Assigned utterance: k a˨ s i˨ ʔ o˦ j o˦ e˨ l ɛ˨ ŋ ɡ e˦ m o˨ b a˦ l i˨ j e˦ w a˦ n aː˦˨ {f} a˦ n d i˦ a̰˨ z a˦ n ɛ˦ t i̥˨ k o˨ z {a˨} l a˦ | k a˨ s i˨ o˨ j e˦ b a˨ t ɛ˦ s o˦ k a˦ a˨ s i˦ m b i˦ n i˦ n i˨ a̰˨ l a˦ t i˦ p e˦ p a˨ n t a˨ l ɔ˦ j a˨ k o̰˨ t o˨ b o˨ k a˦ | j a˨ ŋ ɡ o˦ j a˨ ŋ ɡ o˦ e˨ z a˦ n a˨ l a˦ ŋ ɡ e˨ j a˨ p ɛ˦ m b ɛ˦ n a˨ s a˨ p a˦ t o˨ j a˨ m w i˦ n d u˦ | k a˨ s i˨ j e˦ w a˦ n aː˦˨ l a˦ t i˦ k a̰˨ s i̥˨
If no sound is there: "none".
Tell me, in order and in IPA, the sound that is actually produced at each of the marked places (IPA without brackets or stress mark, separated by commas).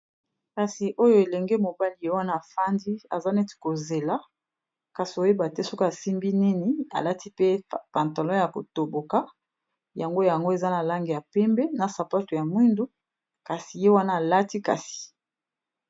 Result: f, e˨